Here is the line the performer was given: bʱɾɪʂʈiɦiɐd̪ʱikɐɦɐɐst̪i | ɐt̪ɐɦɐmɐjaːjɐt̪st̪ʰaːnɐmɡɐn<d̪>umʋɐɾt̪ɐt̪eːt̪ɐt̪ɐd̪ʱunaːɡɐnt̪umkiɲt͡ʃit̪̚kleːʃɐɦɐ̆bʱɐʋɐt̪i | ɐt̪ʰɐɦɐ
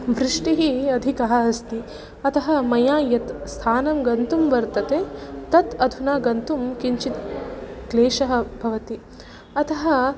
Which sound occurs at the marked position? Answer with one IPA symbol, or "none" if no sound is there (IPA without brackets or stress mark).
t̪